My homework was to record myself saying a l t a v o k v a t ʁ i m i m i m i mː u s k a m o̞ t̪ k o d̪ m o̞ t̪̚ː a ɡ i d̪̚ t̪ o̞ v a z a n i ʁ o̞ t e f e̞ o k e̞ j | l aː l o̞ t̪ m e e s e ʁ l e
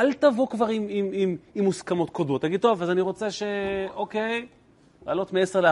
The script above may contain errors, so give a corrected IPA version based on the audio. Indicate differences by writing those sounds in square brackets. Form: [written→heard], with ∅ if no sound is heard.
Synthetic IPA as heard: a l t a v o k v a [t→∅] ʁ i m i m i m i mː u s k a m o̞ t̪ k o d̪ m o̞ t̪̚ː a ɡ i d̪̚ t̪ o̞ v a z a n i ʁ o̞ [t→t͡s] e [f→ʃ] e̞ o k e̞ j | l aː l o̞ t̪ m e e s e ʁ l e